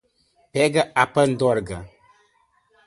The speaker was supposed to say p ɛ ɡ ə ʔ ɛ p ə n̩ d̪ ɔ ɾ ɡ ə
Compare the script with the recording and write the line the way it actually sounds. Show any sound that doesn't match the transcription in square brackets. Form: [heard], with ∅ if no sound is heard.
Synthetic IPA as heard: p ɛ ɡ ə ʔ [a] p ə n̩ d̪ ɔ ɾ ɡ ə